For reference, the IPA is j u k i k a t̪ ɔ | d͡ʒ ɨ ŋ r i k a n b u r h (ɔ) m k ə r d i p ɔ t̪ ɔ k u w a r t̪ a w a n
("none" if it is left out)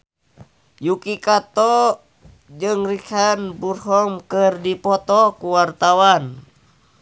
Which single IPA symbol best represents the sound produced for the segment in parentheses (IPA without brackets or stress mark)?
ɔ